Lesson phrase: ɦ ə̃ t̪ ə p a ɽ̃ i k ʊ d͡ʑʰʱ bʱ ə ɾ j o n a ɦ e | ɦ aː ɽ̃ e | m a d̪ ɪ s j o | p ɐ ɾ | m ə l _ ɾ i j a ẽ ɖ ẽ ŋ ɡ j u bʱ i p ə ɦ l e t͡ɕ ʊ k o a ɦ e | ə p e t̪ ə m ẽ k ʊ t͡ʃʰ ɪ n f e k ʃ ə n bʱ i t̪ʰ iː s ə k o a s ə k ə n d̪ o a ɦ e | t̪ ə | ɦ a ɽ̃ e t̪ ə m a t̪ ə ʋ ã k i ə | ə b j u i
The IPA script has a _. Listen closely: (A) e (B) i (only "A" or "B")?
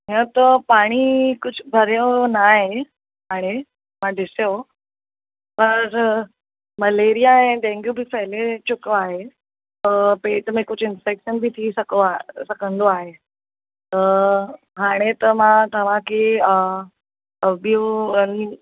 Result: A